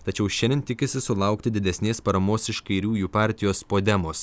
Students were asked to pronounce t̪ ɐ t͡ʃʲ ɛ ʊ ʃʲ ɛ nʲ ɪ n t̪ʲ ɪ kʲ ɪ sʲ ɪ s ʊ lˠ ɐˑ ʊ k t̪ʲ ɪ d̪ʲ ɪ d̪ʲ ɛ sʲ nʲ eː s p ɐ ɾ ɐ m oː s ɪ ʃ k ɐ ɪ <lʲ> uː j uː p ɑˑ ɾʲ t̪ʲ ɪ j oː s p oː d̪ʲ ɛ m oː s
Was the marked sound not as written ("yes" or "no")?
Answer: yes